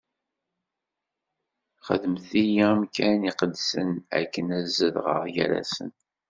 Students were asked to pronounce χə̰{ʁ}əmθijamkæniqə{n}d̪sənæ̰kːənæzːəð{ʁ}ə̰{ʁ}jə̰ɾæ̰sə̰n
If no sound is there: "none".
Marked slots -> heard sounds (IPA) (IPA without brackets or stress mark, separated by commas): ð, none, ʁ, ʁ